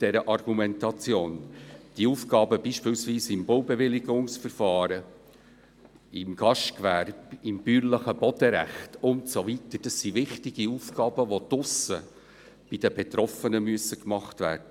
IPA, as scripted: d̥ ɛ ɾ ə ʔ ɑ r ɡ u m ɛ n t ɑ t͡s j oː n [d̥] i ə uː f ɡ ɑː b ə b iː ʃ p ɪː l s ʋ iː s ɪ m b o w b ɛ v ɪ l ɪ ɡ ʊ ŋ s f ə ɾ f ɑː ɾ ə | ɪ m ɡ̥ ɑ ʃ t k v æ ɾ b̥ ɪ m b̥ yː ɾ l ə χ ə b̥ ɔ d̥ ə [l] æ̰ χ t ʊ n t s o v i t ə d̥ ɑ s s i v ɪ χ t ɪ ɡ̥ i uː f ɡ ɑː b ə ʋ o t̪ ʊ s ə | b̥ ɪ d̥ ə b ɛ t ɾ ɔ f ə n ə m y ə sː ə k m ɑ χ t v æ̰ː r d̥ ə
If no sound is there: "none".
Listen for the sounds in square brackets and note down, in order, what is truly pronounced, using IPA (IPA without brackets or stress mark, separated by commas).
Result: d̥, ɾ